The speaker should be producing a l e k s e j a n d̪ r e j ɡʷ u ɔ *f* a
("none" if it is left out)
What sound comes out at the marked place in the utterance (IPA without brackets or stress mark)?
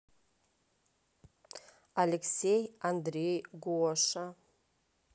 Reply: ʂ